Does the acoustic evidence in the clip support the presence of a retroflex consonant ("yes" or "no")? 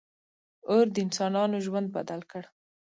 yes